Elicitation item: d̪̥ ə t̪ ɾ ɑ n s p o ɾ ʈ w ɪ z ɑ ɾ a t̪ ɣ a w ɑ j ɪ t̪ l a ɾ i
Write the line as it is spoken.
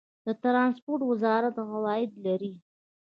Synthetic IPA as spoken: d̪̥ ə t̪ ɾ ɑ n s p o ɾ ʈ w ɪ z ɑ ɾ a t̪ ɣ a w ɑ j ɪ d̪ l a ɾ i